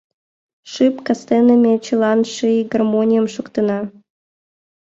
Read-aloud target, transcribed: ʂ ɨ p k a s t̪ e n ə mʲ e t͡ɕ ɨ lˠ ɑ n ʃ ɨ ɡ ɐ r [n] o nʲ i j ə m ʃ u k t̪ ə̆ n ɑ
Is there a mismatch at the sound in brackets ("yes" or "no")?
yes